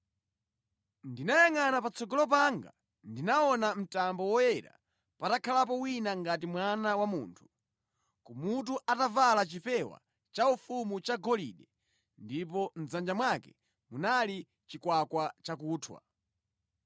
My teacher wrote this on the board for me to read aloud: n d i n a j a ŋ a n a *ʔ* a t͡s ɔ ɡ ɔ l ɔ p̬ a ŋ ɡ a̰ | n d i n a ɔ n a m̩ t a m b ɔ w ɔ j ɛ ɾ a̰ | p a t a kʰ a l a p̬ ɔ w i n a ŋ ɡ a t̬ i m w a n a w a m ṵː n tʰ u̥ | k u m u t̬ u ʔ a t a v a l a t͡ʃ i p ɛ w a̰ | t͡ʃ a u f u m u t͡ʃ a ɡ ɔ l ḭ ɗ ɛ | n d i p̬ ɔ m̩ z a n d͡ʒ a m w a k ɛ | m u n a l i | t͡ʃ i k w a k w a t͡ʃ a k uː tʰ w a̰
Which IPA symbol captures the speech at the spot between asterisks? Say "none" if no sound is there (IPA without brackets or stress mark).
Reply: p